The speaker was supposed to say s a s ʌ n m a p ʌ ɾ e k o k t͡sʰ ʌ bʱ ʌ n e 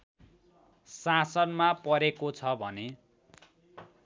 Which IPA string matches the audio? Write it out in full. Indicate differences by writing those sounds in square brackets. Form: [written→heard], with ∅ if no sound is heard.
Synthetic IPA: s a s ʌ n m a p ʌ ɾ e k o [k→∅] t͡sʰ ʌ bʱ ʌ n e